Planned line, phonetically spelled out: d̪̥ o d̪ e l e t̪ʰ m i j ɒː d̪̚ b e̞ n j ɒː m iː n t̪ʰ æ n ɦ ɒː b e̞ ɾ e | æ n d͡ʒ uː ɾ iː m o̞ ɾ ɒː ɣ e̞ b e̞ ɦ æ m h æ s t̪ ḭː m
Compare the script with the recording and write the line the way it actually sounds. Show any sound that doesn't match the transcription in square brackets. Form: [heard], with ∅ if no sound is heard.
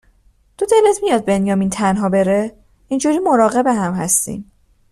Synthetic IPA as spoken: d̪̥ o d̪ e l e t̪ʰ m i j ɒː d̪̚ b e̞ n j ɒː m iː n t̪ʰ æ n ɦ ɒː b e̞ ɾ e | [i] n d͡ʒ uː ɾ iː m o̞ ɾ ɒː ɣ e̞ b e̞ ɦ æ m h æ s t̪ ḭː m